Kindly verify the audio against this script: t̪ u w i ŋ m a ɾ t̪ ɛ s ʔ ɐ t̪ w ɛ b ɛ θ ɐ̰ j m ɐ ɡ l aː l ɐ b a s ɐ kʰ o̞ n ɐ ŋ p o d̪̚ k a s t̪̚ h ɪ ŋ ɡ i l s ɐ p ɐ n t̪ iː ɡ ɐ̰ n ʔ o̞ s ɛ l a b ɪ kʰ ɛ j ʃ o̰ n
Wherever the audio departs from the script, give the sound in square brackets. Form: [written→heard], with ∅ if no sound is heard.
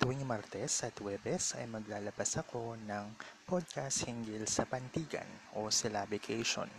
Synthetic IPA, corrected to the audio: t̪ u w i ŋ m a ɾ t̪ ɛ s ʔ ɐ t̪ w ɛ b ɛ [θ→s] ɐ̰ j m ɐ ɡ l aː l ɐ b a s ɐ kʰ o̞ n ɐ ŋ p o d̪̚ k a s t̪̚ h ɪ ŋ ɡ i l s ɐ p ɐ n t̪ iː ɡ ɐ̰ n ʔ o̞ s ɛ l a b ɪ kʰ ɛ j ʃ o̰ n